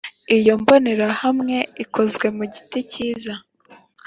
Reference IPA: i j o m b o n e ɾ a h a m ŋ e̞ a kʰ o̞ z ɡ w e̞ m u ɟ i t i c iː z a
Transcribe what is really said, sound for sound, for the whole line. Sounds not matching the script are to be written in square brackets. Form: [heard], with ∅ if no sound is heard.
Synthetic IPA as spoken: i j o m b o n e ɾ a h a m ŋ e̞ [i] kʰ o̞ z ɡ w e̞ m u ɟ i t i c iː z a